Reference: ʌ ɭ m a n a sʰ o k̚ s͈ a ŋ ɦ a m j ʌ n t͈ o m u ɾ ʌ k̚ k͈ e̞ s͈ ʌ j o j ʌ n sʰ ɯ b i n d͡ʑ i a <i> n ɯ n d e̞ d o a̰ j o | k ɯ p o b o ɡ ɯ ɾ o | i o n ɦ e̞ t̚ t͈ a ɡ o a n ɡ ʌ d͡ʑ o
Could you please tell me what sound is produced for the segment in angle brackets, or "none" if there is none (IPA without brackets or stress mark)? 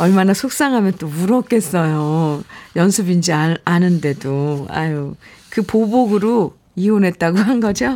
a